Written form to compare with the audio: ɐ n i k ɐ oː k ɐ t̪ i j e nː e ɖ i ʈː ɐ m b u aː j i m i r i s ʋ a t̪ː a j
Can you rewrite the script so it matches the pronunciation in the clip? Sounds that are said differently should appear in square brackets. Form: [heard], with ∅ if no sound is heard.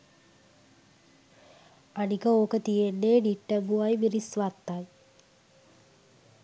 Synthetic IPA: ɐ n i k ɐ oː k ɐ t̪ i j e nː e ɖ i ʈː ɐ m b u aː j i m i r i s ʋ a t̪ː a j